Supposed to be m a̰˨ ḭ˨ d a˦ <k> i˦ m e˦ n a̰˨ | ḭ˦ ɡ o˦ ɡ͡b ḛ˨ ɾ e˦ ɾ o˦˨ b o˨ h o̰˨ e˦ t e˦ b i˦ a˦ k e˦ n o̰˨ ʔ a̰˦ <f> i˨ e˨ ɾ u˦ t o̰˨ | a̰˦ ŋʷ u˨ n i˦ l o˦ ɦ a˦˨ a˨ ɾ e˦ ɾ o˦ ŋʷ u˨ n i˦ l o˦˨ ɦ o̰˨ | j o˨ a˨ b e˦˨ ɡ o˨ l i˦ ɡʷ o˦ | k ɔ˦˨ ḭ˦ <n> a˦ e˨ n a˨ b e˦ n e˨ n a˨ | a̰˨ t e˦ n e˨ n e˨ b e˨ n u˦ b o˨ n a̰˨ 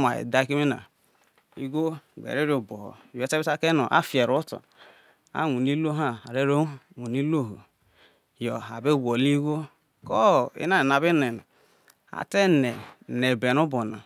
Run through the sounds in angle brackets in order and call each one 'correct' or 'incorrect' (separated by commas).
correct, correct, correct